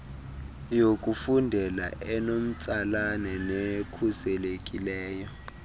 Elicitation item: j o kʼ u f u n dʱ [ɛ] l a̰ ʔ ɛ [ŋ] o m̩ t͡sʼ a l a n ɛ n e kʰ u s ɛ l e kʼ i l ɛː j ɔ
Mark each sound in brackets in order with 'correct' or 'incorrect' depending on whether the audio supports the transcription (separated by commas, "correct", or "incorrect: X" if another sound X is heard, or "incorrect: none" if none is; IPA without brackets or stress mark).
correct, incorrect: n